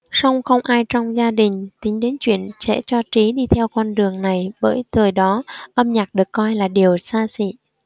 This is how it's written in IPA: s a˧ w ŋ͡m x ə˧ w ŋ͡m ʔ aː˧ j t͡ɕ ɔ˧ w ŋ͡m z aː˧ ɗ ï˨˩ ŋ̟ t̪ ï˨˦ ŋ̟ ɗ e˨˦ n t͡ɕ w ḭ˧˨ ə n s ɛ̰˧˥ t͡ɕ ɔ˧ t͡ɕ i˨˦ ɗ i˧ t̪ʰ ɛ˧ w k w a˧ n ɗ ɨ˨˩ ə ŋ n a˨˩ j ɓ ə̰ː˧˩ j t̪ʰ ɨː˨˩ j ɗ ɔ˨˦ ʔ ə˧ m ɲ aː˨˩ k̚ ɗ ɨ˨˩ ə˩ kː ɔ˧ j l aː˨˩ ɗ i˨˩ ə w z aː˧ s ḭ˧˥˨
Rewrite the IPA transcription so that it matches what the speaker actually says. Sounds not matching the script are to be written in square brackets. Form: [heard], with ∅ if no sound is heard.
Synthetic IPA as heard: s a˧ w ŋ͡m x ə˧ w ŋ͡m ʔ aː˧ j t͡ɕ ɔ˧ w ŋ͡m z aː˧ ɗ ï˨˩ ŋ̟ t̪ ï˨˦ ŋ̟ ɗ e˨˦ n t͡ɕ w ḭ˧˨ ə n s ɛ̰˧˥ t͡ɕ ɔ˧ t͡ɕ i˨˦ ɗ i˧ t̪ʰ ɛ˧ w k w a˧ n ɗ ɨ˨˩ ə ŋ n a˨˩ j ɓ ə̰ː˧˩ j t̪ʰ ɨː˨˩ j ɗ ɔ˨˦ ʔ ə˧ m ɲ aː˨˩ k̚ ɗ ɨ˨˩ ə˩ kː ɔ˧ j l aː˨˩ ɗ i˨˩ ə w [s] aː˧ s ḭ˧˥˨